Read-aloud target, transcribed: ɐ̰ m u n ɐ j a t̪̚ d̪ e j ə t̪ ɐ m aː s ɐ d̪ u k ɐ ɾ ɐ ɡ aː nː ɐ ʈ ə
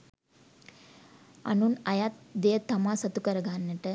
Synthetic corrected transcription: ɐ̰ n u n ɐ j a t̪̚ d̪ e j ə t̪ ɐ m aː s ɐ t̪ u k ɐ ɾ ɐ ɡ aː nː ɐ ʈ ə